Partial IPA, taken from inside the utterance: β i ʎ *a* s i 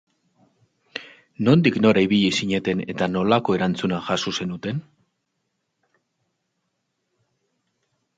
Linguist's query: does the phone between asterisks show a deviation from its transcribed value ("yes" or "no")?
yes